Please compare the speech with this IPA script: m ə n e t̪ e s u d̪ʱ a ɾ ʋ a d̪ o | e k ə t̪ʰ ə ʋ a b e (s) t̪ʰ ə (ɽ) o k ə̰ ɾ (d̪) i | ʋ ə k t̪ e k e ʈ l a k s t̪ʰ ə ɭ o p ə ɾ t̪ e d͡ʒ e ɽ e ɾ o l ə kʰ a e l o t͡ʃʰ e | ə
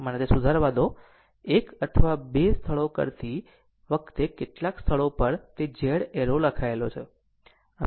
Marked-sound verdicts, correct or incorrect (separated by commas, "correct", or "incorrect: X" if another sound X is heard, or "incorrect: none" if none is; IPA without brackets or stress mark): correct, incorrect: ɭ, incorrect: t̪